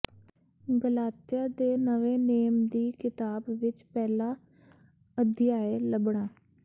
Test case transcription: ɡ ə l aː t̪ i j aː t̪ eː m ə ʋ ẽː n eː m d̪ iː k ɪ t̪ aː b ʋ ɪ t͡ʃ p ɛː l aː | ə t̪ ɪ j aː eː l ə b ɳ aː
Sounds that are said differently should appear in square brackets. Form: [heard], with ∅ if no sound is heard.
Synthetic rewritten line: ɡ ə l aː t̪ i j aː [d̪] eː [n] ə ʋ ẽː n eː m d̪ iː k ɪ t̪ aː b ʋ ɪ t͡ʃ p ɛː l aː | ə [d̪] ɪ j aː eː l ə b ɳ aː